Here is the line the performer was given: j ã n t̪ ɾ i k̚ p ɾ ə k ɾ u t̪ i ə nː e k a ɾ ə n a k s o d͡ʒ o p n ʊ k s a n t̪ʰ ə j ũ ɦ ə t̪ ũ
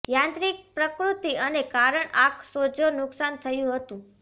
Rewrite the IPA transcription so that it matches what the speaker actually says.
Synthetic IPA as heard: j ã n t̪ ɾ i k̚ p ɾ ə k ɾ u t̪ i ə n e k a ɾ ə ɳ a k s o d͡ʒ o n ʊ k s a n t̪ʰ ə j ũ ɦ ə t̪ ũ